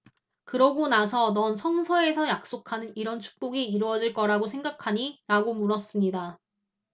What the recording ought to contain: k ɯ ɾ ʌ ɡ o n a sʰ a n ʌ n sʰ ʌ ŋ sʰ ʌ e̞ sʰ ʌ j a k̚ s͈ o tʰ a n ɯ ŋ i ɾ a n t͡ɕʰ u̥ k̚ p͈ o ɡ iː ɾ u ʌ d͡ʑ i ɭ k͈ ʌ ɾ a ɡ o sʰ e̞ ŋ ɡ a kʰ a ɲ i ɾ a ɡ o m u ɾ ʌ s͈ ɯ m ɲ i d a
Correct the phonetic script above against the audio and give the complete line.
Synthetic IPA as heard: k ɯ ɾ ʌ ɡ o n a sʰ ʌ n ʌ n sʰ ʌ ŋ sʰ ʌ e̞ sʰ ʌ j a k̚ s͈ o kʰ a n ɯ n i ɾ ʌ n t͡ɕʰ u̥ k̚ p͈ o ɡ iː ɾ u ʌ d͡ʑ i ɭ k͈ ʌ ɾ a ɡ o sʰ e̞ ŋ ɡ a kʰ a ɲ i ɾ a ɡ o m u ɾ ʌ s͈ ɯ m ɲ i d a